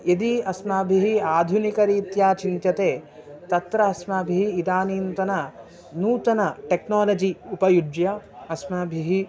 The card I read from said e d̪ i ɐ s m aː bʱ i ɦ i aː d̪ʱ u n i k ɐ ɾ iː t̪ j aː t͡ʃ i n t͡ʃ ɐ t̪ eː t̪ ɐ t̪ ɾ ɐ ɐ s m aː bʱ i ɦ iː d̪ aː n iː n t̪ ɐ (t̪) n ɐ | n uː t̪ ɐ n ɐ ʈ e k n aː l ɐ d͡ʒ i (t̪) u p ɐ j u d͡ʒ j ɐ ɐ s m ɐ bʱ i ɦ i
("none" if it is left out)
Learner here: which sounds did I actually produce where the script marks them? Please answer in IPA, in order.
none, none

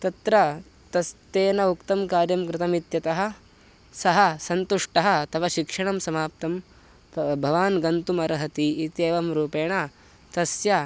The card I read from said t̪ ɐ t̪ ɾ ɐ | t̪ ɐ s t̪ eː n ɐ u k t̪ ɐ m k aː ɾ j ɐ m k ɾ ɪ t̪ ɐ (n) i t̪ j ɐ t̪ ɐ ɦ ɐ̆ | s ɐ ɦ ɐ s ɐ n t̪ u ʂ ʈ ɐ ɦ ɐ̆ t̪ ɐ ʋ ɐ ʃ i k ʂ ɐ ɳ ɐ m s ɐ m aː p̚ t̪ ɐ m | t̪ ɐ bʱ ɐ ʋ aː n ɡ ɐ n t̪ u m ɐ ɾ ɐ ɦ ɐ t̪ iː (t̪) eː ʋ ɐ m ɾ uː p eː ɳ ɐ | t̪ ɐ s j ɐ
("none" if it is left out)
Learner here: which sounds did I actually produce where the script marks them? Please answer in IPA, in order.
m, t̪

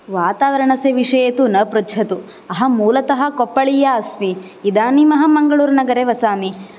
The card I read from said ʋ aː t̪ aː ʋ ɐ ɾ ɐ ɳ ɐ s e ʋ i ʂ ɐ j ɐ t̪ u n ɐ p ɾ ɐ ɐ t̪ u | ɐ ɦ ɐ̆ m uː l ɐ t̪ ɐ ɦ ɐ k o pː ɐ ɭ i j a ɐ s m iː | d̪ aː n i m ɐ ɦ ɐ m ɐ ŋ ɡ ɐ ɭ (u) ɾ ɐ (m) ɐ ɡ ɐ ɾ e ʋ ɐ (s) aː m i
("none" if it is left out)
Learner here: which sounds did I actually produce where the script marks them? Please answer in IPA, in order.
uː, n, s

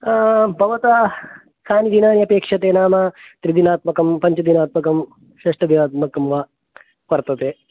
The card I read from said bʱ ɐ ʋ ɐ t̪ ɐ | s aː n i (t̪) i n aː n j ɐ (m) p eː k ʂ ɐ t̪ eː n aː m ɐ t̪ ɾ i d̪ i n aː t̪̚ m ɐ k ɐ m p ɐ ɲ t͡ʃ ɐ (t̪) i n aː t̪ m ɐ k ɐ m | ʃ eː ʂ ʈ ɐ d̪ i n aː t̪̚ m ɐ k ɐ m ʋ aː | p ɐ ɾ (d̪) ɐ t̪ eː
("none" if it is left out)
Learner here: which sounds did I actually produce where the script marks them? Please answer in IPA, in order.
d̪, none, d̪, t̪

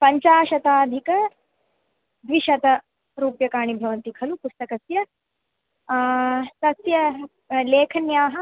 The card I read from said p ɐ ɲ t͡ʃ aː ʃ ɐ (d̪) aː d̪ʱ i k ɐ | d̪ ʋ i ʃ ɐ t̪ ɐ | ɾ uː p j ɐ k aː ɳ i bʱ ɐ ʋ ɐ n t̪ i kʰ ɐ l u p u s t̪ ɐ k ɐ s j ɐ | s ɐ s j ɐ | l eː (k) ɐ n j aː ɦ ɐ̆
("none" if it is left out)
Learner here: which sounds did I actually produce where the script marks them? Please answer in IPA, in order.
t̪, kʰ

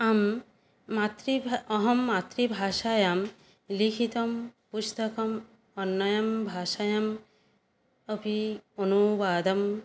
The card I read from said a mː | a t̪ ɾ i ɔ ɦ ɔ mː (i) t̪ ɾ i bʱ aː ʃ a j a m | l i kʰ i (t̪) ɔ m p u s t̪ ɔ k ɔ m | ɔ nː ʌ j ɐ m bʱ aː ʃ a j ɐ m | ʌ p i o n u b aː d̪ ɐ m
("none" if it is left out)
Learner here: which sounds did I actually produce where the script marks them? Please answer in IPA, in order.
a, t̪

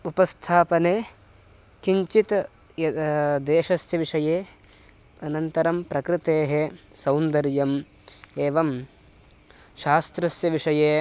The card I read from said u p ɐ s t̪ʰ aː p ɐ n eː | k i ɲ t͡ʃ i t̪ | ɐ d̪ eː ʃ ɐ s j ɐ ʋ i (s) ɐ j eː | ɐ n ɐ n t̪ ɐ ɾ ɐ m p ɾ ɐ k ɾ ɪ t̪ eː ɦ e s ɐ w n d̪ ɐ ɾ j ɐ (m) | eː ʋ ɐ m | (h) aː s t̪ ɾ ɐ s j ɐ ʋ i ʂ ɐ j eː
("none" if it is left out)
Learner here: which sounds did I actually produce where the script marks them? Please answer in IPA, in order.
ʂ, m, ʃ

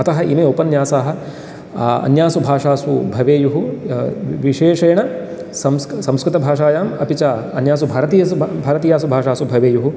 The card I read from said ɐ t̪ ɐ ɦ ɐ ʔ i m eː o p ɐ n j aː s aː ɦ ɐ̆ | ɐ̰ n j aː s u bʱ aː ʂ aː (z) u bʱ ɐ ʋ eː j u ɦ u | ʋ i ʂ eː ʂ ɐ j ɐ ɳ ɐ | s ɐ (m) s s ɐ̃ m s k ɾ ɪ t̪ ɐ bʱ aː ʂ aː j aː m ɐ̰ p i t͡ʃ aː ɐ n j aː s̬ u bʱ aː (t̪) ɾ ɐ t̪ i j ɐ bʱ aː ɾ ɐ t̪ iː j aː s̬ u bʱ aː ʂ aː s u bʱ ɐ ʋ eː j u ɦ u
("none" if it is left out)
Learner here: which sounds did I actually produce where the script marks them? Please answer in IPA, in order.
s, m, none

